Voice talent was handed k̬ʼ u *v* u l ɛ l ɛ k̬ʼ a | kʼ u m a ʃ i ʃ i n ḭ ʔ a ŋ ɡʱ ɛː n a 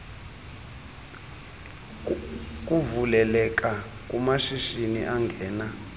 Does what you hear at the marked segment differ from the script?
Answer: no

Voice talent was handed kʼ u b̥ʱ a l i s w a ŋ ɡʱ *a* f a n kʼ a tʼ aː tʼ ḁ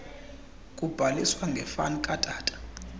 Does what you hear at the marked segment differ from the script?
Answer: yes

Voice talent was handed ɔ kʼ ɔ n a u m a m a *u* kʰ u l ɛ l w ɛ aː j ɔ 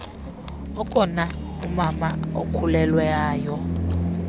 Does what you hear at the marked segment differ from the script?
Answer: yes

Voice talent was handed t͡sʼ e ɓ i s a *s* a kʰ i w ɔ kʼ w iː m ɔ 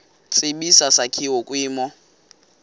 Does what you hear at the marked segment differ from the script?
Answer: no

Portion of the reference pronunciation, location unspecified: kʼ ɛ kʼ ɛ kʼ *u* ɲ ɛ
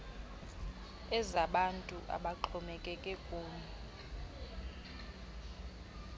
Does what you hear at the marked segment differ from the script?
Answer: yes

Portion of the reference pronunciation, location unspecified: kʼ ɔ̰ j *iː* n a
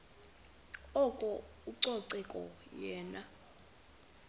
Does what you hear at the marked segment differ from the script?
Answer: yes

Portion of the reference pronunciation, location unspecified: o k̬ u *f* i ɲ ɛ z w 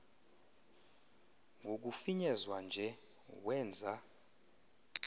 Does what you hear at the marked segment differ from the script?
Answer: no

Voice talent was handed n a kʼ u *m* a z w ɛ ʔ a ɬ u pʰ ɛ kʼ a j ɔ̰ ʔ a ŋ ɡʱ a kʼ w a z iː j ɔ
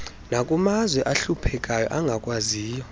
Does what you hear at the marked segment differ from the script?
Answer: no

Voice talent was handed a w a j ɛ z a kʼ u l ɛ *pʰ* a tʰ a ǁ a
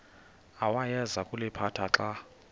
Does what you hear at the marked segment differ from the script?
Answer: no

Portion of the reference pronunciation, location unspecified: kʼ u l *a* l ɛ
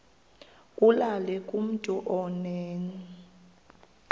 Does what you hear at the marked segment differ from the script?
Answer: no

